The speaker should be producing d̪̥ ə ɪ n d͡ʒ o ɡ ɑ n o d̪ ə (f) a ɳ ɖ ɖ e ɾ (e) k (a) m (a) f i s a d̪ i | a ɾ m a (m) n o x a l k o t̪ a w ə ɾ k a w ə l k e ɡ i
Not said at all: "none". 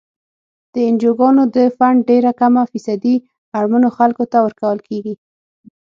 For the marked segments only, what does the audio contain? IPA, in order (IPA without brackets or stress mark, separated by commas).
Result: f, a, a, a, none